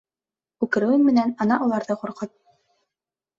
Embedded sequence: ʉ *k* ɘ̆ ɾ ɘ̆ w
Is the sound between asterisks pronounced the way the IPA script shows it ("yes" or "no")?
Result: yes